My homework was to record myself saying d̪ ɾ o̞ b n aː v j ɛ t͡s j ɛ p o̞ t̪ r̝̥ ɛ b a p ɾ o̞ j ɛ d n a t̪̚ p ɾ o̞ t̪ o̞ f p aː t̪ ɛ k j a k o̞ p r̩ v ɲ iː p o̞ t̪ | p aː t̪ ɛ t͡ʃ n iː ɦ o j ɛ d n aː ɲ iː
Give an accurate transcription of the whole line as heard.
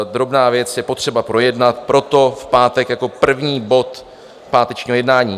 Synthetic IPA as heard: d̪ ɾ o̞ b n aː v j ɛ t͡s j ɛ p o̞ t̪ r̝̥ ɛ b a p ɾ o̞ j ɛ d n a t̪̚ p ɾ o̞ t̪ o̞ f p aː t̪ ɛ k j a k o̞ p r̩ v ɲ iː b o̞ t̪ | p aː t̪ ɛ t͡ʃ ɲ iː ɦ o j ɛ d n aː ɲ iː